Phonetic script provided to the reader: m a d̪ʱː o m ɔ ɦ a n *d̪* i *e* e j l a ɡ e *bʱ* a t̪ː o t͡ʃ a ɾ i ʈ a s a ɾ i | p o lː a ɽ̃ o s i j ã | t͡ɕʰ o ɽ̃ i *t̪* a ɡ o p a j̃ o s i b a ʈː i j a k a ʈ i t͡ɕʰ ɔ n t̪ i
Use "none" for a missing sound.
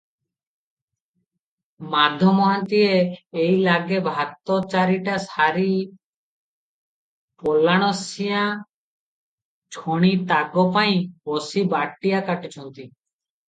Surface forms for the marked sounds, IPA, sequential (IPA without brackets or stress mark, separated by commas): t̪, e, bʱ, t̪